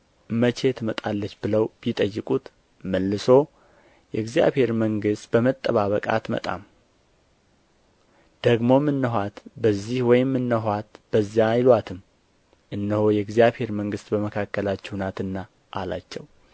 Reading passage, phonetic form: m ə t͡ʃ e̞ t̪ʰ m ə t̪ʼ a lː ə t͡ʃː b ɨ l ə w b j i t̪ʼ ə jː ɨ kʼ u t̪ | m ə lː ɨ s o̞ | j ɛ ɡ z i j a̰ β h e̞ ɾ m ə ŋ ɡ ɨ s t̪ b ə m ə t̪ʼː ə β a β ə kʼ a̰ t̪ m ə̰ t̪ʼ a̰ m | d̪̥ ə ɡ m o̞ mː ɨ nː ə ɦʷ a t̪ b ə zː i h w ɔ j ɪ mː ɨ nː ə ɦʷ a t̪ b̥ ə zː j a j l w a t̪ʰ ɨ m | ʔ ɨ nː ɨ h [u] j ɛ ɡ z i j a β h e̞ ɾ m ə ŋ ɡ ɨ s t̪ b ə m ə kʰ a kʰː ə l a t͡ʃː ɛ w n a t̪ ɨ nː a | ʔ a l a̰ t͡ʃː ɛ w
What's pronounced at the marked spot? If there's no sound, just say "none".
o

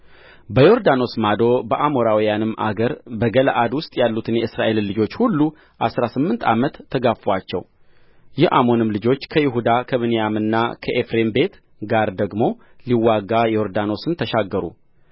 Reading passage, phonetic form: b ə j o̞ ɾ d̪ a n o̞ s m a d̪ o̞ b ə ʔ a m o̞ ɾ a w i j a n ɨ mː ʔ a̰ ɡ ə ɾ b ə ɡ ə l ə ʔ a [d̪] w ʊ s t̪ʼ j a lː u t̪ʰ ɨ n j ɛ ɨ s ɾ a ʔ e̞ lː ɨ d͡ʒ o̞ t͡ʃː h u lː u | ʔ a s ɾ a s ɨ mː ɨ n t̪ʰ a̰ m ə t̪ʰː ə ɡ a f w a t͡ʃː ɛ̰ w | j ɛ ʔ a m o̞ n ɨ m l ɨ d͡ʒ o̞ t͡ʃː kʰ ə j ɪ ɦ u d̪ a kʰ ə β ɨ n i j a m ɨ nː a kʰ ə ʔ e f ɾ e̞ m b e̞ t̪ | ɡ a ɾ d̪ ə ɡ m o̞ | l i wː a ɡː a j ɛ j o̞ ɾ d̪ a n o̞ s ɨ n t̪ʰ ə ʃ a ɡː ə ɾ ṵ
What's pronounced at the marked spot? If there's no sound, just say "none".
d̪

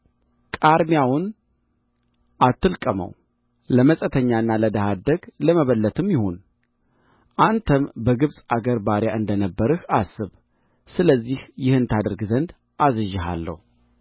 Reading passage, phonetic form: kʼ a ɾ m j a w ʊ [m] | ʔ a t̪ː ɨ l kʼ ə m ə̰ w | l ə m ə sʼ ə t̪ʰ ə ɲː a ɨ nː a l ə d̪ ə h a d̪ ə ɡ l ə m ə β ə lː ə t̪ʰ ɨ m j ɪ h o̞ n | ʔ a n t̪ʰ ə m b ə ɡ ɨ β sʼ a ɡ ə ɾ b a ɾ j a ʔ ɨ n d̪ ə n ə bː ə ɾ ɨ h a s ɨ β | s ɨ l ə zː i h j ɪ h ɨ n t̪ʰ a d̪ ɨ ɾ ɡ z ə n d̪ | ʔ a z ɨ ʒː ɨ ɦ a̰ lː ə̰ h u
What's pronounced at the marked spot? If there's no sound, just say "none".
n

